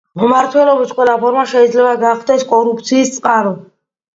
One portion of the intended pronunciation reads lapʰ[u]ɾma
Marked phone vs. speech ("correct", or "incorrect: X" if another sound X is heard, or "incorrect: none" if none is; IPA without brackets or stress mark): incorrect: ɔ